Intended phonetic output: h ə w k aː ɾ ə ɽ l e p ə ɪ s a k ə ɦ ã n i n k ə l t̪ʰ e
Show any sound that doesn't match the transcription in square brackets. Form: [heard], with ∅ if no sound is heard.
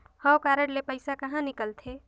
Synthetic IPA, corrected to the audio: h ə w k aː ɾ ə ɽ l e p ə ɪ s a k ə ɦ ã n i [∅] k ə l t̪ʰ e